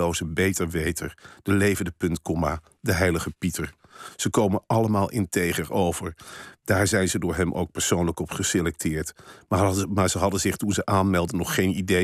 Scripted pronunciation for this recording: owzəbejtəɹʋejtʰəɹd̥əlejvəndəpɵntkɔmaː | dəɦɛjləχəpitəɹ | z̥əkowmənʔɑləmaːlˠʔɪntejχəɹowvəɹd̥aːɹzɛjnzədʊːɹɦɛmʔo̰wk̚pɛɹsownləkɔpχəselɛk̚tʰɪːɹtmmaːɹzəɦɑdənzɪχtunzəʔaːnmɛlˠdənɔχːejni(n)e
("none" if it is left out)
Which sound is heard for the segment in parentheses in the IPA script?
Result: d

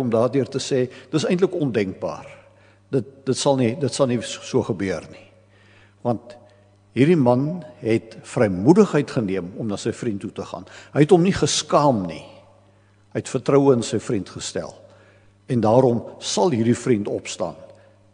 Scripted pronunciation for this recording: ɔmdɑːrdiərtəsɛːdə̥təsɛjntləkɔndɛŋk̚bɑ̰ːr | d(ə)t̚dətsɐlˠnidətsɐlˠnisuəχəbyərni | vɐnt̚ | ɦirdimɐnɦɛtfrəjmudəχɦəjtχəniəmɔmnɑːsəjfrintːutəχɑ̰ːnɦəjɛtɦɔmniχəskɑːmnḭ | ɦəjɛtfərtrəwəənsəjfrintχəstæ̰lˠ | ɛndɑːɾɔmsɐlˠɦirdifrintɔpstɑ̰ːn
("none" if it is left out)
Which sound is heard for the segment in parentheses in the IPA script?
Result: ə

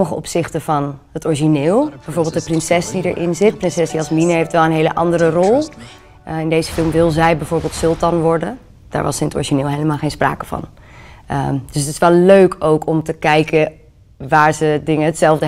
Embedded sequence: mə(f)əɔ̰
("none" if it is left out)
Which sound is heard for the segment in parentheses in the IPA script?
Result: χ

